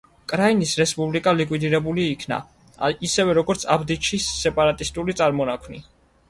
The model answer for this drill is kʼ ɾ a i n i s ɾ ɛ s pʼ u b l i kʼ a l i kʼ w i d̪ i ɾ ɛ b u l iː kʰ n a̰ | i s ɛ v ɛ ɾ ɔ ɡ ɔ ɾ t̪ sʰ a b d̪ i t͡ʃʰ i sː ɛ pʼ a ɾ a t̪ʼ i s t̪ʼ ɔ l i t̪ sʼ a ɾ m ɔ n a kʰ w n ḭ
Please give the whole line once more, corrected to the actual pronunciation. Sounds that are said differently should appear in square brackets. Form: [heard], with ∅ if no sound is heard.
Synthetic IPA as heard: kʼ ɾ a i n i s ɾ ɛ s pʼ u b l i kʼ a l i kʼ w i d̪ i ɾ ɛ b u l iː kʰ n a̰ | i s ɛ v ɛ ɾ ɔ ɡ ɔ ɾ t̪ sʰ a b d̪ i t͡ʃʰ i sː ɛ pʼ a ɾ a t̪ʼ i s t̪ʼ [u] l i t̪ sʼ a ɾ m ɔ n a kʰ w n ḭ